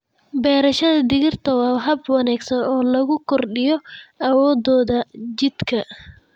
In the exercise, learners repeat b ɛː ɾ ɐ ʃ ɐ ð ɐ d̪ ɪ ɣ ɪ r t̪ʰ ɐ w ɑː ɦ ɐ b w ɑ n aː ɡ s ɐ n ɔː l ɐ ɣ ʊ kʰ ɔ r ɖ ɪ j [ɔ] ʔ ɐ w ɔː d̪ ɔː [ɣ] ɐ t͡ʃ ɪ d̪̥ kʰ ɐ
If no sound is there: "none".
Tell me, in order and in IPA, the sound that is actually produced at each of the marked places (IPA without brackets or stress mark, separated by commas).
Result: ɔ, ð